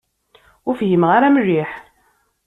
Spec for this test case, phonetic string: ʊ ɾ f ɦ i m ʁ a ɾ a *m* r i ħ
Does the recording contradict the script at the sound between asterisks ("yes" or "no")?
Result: no